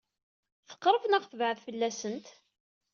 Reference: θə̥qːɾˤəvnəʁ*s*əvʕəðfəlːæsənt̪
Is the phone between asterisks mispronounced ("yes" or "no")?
yes